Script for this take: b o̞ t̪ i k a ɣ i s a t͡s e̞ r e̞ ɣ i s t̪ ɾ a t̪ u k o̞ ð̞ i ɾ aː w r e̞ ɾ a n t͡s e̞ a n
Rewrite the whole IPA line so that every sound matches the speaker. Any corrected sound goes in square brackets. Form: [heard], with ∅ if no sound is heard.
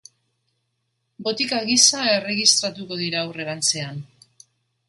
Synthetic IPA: b o̞ t̪ i k a ɣ i s a [∅] e̞ r e̞ ɣ i s t̪ ɾ a t̪ u k o̞ ð̞ i ɾ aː w r e̞ ɾ a n t͡s e̞ a n

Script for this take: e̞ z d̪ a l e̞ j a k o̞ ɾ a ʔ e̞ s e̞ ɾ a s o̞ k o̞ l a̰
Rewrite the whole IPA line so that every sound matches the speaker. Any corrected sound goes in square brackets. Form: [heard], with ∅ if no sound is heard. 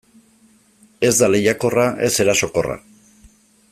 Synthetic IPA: e̞ z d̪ a l e̞ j a k o̞ [r] a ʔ e̞ s e̞ ɾ a s o̞ k o̞ [r] a̰

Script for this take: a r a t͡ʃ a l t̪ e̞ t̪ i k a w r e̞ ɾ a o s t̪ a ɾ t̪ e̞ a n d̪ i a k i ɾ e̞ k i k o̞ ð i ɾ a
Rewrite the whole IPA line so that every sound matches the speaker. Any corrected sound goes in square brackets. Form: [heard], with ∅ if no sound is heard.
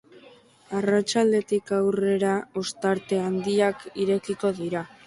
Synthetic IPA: a r a t͡ʃ a l [d̪] e̞ t̪ i k a w r e̞ ɾ a o s t̪ a ɾ t̪ e̞ a n d̪ i a k i ɾ e̞ k i k o̞ ð i ɾ a

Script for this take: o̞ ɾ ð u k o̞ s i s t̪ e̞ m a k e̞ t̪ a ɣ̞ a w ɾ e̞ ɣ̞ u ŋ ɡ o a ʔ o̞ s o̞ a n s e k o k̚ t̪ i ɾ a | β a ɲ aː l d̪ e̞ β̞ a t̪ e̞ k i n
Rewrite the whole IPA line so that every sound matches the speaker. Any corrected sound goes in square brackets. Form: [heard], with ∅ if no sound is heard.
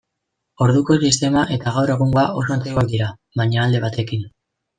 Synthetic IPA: o̞ ɾ ð u k o̞ s i s t̪ e̞ m a [ʔ] e̞ t̪ a ɣ̞ a w ɾ e̞ ɣ̞ u ŋ ɡ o a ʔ o̞ s o̞ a n [t͡s] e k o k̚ [d̪] i ɾ a | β a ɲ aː l d̪ e̞ β̞ a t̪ e̞ k i n

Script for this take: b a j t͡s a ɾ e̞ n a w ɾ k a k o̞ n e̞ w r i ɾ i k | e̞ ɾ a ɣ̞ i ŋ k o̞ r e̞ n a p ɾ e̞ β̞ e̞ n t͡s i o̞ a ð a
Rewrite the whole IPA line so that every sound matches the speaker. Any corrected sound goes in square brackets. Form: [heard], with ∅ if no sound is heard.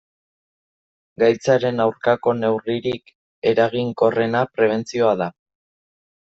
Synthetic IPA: [ɡ] a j t͡s a ɾ e̞ n a w ɾ k a k o̞ n e̞ w r i ɾ i k | e̞ ɾ a ɣ̞ i ŋ k o̞ r e̞ n a p ɾ e̞ β̞ e̞ n t͡s i o̞ a ð a

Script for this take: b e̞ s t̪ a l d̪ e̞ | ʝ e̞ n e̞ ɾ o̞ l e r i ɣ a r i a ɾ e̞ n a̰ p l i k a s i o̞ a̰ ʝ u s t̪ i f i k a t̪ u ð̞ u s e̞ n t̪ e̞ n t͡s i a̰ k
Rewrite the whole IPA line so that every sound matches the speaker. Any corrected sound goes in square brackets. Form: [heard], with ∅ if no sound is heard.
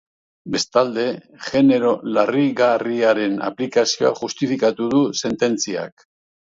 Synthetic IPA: b e̞ s t̪ a l d̪ e̞ | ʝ e̞ n e̞ ɾ o̞ l [a] r i ɣ a r i a ɾ e̞ n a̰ p l i k a s i o̞ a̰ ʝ u s t̪ i f i k a t̪ u ð̞ u s e̞ n t̪ e̞ n t͡s i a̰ k

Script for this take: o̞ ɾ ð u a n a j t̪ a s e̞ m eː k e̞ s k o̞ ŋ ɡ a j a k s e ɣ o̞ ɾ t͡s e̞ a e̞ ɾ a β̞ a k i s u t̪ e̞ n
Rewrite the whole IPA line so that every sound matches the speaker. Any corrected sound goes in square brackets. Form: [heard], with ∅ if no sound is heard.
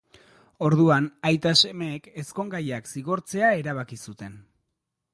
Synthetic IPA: o̞ ɾ ð u a n a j t̪ a s e̞ m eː k e̞ s k o̞ ŋ ɡ a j a k s [i] ɣ o̞ ɾ t͡s e̞ a e̞ ɾ a β̞ a k i s u t̪ e̞ n

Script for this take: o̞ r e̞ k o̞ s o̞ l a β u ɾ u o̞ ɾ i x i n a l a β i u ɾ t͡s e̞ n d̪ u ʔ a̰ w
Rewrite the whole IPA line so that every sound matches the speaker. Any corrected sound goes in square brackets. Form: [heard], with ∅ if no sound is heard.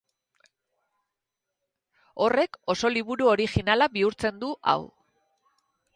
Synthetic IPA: o̞ r e̞ k o̞ s o̞ l [i] β u ɾ u o̞ ɾ i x i n a l a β i u ɾ t͡s e̞ n d̪ u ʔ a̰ w

